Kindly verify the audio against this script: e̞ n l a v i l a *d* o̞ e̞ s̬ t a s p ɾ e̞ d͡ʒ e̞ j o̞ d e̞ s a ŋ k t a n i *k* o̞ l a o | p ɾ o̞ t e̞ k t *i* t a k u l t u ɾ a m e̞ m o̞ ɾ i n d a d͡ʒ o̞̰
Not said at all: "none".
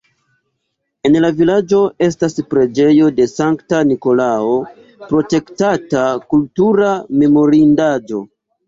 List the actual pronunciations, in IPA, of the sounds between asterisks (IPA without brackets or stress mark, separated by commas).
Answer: d͡ʒ, k, a